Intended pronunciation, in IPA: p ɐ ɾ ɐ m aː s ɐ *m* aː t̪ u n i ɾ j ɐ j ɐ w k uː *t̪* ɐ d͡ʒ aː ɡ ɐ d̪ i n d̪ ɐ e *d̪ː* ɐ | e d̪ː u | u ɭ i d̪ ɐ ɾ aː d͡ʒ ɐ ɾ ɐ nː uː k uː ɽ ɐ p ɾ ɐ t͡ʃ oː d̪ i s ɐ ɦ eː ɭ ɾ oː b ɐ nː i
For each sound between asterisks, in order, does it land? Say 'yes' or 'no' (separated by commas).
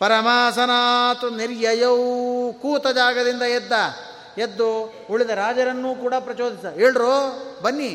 no, yes, yes